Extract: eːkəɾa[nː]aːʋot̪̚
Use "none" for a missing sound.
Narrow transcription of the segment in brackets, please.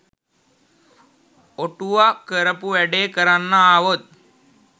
nː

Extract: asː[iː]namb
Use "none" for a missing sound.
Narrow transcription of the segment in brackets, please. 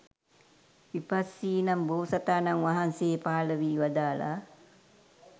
iː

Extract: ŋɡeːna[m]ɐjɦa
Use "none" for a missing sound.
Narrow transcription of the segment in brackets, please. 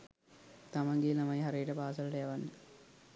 m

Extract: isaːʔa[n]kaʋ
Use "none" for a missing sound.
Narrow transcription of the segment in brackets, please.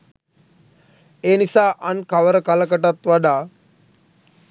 n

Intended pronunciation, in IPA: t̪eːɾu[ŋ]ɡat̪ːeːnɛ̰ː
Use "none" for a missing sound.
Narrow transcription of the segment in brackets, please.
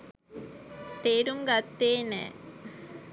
ŋ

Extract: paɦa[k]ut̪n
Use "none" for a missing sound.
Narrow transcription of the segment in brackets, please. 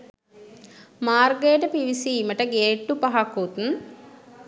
k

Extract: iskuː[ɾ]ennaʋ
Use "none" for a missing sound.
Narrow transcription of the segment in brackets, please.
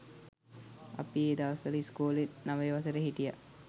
l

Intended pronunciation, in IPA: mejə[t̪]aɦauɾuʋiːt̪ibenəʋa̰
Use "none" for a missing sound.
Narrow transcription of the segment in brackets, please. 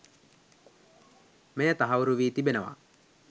t̪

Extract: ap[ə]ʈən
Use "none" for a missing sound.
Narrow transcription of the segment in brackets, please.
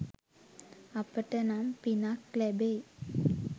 ə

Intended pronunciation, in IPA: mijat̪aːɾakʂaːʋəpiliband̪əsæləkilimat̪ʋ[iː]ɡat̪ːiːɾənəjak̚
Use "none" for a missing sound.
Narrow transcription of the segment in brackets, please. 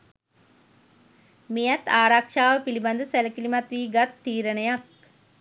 iː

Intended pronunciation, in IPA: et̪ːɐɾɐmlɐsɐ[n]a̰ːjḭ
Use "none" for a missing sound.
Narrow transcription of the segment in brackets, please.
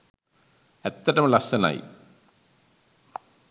n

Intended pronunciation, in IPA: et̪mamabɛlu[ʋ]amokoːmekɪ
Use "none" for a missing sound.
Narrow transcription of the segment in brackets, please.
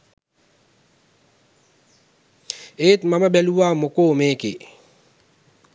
w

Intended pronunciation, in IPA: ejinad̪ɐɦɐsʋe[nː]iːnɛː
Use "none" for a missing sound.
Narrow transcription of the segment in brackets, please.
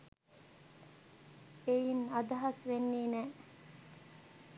nː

